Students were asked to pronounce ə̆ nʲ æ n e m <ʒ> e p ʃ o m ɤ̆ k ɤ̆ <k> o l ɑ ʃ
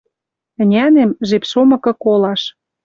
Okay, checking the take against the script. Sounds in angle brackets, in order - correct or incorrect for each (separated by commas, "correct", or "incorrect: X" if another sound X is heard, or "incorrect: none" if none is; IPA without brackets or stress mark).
correct, correct